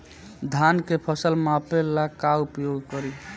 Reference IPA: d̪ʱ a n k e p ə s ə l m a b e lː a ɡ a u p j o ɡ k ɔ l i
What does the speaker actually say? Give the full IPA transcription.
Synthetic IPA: d̪ʱ a n k e pʰ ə s ə l m a p e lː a k a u p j o ɡ k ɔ ɾ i